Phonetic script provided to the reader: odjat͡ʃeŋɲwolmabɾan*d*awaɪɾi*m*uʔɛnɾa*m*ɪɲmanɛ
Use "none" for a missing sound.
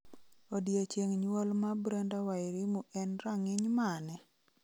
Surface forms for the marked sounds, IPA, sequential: d, m, ŋ

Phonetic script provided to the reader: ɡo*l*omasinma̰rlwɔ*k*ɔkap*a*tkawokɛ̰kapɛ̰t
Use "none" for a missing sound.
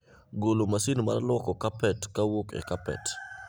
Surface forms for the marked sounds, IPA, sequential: l, k, ɛ

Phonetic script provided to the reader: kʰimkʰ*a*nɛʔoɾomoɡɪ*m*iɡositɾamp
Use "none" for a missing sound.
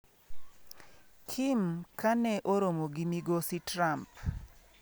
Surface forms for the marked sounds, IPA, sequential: a, m

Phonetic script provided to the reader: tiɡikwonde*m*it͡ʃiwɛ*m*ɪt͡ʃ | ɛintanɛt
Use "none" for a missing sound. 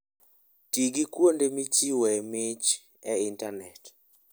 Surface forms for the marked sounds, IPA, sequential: m, m

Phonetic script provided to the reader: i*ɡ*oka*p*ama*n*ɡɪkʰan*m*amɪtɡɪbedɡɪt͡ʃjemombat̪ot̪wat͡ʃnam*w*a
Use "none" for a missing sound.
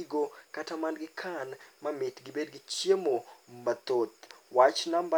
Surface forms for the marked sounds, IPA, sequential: ɡ, t, n, m, b

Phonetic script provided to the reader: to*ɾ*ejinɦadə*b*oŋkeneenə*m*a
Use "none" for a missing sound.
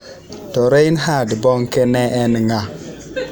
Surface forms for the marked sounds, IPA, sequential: ɾ, b, ŋ

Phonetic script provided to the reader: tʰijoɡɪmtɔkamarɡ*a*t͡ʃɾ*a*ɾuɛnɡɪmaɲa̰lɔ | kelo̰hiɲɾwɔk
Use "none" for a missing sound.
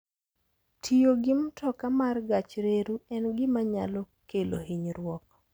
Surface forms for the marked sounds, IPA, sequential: a, e

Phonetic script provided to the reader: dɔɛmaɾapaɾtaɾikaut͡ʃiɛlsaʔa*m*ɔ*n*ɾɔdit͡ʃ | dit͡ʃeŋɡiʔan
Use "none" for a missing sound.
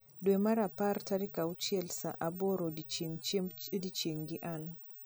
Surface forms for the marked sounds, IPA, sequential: b, none

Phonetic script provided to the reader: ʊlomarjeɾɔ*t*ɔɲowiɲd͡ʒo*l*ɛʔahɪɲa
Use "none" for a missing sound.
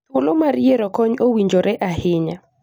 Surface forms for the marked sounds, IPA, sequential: k, ɾ

